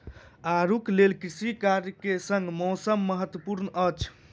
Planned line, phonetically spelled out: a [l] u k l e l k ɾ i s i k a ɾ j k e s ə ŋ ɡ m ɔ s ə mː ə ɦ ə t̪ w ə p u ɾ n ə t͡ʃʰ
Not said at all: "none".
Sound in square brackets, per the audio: ɾ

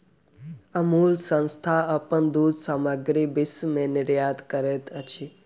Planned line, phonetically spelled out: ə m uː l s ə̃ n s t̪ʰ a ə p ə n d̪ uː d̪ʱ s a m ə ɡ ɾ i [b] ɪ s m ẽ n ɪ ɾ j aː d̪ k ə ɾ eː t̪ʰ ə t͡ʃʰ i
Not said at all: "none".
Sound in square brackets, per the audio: b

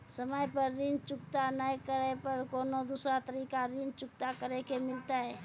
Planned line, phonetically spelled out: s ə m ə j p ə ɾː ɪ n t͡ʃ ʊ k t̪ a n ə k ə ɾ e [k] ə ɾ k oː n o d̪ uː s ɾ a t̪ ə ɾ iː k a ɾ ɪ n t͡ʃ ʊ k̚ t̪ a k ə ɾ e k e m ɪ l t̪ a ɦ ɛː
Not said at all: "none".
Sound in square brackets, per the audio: p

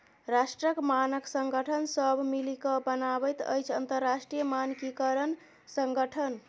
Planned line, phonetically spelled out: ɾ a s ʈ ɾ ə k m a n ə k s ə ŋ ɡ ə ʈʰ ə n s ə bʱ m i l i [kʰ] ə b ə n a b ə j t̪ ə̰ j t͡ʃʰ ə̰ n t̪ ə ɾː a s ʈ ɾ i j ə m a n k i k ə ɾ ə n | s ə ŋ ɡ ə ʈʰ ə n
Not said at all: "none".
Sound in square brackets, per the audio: k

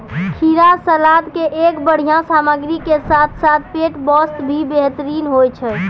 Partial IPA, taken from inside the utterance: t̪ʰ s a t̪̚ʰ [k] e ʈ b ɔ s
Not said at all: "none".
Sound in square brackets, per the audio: p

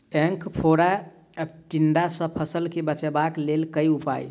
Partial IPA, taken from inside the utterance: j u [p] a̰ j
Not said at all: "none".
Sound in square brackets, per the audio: p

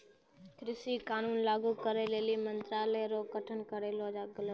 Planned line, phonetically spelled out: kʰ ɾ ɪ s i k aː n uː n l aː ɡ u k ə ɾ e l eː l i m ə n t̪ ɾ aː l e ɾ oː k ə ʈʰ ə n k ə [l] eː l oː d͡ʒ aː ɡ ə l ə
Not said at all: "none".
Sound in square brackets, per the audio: ɾ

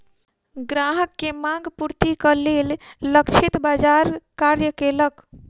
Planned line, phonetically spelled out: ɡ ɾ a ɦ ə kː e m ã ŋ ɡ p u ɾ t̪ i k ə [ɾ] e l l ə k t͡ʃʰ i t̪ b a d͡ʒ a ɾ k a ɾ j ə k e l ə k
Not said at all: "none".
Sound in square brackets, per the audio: l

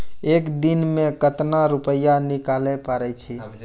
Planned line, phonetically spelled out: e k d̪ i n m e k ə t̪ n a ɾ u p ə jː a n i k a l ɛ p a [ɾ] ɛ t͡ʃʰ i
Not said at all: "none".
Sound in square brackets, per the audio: ɾ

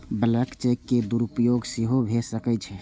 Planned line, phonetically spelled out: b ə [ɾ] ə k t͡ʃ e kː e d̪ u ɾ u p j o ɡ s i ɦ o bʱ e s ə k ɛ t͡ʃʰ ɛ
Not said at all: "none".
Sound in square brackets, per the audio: l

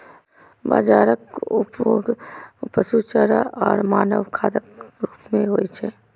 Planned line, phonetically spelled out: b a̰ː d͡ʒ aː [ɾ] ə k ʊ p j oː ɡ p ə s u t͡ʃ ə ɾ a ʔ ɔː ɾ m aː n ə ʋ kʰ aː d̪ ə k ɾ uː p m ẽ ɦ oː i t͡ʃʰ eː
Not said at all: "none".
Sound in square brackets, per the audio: ɾ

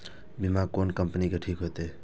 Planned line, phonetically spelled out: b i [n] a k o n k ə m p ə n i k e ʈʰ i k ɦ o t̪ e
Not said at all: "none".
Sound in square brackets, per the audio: m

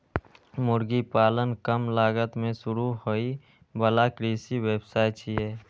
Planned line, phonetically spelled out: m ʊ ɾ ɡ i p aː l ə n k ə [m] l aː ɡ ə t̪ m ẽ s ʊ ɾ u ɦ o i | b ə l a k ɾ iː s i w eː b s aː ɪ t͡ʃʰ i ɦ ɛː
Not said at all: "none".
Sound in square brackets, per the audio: m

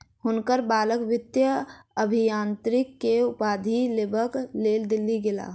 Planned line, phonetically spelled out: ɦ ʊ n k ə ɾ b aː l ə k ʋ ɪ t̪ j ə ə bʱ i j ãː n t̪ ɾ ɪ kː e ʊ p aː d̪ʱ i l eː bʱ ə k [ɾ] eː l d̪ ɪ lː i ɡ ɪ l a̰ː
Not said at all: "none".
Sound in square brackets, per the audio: l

